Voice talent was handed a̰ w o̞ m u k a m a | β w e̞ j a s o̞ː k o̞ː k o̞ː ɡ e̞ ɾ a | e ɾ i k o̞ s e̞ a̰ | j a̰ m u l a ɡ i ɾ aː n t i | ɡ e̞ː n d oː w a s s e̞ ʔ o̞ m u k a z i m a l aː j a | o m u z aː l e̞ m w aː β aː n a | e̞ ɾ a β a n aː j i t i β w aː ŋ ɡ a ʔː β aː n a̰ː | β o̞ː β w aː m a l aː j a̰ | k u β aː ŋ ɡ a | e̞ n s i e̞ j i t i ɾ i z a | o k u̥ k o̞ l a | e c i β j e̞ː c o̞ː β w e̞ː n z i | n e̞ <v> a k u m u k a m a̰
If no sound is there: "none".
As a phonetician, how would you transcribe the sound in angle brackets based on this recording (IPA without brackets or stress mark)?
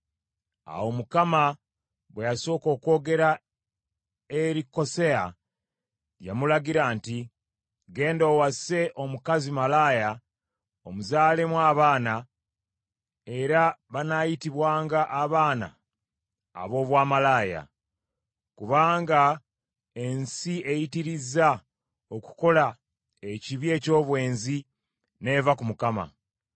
v